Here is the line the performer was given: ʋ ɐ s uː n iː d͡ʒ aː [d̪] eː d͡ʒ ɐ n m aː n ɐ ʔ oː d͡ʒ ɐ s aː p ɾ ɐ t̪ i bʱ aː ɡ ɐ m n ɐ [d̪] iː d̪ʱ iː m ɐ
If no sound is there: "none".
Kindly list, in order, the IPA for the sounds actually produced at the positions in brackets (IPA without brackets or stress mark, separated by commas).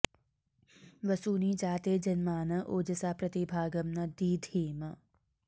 t̪, d̪